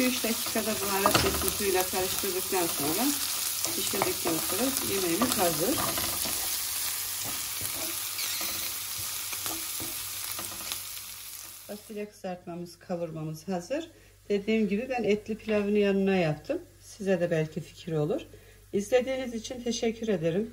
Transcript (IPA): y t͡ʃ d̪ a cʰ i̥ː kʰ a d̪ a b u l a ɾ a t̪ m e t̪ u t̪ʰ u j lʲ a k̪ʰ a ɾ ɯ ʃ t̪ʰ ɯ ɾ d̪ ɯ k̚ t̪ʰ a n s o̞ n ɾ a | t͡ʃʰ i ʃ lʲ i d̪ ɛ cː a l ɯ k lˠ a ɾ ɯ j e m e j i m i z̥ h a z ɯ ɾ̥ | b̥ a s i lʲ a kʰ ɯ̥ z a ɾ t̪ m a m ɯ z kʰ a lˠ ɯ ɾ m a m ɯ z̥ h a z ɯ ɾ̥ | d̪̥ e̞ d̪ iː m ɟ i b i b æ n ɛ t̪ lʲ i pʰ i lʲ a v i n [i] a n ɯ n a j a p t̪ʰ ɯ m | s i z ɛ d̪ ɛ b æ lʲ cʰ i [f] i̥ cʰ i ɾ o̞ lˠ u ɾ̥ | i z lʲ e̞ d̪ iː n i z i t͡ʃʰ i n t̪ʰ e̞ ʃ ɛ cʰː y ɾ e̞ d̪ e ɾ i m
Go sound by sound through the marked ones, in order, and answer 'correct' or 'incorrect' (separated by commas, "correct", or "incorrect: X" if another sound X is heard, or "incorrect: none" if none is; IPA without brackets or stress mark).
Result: incorrect: j, correct